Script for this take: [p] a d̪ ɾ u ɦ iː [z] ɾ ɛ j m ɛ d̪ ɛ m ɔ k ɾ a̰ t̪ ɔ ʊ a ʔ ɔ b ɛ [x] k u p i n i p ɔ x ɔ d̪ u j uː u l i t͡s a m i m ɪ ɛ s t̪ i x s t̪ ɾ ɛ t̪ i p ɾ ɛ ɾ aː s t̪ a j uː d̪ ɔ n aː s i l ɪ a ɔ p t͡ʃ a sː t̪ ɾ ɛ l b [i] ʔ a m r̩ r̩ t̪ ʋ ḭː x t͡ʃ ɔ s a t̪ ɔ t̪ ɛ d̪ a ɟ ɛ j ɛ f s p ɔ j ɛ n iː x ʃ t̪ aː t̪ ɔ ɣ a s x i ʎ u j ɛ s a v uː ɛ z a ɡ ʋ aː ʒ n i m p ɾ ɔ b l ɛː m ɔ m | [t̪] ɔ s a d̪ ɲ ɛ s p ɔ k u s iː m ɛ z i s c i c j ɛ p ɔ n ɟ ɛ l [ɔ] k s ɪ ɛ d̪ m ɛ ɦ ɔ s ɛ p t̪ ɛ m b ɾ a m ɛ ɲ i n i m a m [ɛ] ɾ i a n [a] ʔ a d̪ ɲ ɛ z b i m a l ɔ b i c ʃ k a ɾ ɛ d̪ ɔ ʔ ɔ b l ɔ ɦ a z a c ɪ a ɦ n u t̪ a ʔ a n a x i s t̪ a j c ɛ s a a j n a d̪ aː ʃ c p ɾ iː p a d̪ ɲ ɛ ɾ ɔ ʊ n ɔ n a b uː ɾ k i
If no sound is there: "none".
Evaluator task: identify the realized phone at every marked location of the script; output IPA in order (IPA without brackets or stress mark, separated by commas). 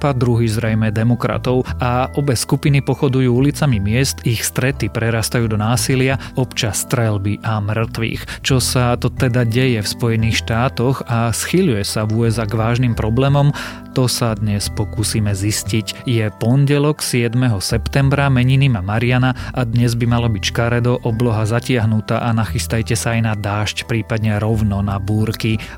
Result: p, z, s, i, t̪, ɔ, a, a